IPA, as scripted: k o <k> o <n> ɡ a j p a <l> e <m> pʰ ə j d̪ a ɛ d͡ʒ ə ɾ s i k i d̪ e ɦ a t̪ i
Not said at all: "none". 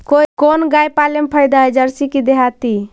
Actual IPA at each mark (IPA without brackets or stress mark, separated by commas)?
k, n, l, m